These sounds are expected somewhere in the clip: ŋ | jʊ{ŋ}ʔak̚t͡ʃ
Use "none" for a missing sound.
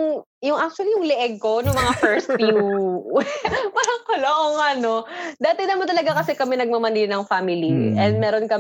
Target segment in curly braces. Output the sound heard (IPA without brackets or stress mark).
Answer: ŋ